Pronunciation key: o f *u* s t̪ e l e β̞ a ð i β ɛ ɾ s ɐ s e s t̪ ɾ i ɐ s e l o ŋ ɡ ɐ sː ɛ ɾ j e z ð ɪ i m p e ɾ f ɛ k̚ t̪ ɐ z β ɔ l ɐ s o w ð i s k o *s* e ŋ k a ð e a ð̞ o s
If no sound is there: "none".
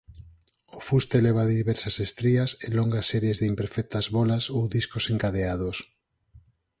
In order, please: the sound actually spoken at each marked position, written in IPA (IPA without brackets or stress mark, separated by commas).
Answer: u, s